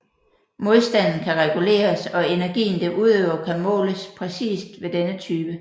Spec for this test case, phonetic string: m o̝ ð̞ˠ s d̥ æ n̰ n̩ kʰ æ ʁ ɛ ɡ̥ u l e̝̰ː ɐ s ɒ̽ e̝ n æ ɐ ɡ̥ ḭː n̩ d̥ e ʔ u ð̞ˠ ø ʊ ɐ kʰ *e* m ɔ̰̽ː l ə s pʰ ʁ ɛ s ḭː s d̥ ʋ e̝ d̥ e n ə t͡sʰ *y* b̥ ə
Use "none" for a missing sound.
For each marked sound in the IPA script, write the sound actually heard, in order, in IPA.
æ, yː

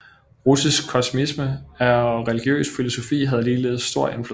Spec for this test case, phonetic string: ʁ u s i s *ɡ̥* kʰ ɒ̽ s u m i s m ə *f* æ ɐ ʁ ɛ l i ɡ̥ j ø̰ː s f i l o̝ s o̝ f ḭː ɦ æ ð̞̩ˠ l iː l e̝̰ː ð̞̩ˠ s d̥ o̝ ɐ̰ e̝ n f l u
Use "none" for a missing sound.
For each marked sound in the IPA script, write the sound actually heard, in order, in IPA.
ɡ̥, none

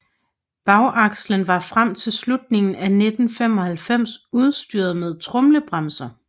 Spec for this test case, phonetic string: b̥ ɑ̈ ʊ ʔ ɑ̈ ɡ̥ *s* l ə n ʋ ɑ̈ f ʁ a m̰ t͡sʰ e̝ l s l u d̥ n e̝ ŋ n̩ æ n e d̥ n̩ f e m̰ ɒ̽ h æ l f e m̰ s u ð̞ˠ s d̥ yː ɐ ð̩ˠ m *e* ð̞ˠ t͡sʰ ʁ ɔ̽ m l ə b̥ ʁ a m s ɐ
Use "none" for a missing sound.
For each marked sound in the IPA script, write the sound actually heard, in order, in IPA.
s, e

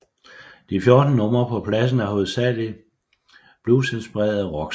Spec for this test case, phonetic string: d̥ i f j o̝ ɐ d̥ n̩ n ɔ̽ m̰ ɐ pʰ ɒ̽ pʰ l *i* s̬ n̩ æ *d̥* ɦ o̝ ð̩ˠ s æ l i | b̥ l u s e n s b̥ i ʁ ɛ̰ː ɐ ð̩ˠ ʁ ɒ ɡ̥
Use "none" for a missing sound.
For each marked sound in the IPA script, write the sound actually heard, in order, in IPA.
æ, none

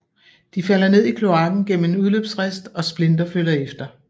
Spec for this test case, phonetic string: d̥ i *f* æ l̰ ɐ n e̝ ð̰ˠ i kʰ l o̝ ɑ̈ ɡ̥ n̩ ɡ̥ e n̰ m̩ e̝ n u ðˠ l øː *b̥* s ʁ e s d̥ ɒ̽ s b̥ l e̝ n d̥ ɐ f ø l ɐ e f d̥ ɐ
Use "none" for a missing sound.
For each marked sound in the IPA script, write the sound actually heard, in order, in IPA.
f, b̥

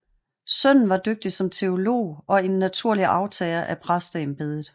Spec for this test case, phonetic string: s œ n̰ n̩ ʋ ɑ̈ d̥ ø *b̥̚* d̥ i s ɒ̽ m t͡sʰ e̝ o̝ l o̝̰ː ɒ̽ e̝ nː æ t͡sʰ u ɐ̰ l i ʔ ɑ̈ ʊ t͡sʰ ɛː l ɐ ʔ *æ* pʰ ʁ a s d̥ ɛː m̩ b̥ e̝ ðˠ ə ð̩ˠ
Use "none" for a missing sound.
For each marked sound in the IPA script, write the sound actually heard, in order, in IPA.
ɡ̥̚, æ

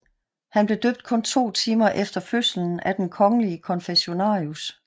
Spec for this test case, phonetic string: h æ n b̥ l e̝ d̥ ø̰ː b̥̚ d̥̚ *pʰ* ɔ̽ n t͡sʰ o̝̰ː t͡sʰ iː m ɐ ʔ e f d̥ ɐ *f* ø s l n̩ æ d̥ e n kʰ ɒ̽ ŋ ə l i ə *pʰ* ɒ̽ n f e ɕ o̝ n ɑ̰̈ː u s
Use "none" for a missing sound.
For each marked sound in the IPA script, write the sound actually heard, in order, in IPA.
kʰ, f, kʰ

